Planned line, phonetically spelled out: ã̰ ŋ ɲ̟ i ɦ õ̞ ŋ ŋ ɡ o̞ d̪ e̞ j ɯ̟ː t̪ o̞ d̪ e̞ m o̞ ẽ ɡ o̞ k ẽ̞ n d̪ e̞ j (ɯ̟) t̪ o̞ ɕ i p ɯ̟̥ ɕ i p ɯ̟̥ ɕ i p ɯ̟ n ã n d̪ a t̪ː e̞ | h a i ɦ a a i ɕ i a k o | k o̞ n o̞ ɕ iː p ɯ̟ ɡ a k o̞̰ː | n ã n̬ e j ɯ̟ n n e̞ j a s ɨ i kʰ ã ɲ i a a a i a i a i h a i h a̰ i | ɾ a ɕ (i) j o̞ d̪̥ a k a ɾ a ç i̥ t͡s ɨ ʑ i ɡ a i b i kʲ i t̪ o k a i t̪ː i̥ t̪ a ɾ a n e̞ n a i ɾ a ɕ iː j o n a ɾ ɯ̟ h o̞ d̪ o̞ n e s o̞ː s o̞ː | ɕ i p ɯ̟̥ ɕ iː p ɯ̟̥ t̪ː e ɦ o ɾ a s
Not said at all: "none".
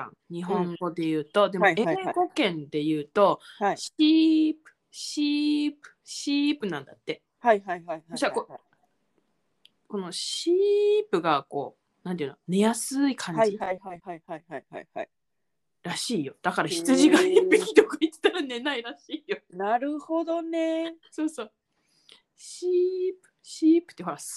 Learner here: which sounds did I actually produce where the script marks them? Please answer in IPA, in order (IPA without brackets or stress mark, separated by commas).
ɯ̟ː, iː